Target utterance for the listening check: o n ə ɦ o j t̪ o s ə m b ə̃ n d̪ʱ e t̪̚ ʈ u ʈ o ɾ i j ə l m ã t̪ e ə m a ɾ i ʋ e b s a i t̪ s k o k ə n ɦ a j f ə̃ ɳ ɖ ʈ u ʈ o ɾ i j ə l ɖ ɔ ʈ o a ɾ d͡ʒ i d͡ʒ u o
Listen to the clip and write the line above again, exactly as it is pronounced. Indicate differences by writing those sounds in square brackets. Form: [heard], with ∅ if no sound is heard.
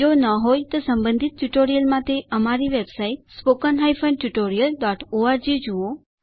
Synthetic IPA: o n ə ɦ o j t̪ o s ə m b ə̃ n d̪ʱ [i] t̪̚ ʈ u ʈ o ɾ i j ə l m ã t̪ e ə m a ɾ i ʋ e b s a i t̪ s [p] o k ə n ɦ a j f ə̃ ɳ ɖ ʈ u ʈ o ɾ i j ə l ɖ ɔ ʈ o a ɾ d͡ʒ i d͡ʒ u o